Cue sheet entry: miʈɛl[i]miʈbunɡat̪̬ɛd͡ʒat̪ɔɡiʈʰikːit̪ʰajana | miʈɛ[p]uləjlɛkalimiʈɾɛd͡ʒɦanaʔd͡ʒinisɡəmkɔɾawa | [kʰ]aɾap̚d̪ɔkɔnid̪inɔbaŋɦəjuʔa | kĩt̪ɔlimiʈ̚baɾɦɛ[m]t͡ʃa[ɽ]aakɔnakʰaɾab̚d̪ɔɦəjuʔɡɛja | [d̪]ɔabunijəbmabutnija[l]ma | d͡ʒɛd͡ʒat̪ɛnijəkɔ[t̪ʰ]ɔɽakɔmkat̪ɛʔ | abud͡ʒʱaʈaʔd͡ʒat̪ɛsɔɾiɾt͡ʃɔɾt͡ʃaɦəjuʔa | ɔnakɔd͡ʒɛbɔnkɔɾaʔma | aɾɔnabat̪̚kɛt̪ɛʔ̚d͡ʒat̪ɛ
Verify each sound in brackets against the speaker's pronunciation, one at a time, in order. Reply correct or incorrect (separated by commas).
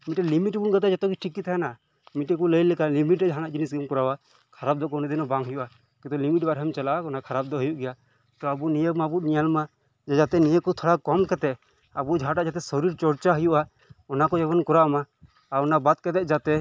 correct, incorrect, correct, correct, incorrect, incorrect, correct, correct